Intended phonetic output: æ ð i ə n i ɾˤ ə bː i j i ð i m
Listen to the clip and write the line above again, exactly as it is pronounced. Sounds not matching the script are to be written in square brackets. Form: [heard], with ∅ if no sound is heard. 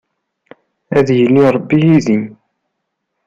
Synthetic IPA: æ ð [j] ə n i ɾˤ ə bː i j i ð i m